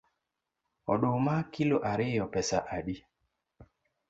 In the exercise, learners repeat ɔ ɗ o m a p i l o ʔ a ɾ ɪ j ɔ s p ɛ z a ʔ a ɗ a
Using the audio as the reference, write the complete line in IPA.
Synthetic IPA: ɔ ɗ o m a k i l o ʔ a ɾ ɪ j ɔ p ɛ s a ʔ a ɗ i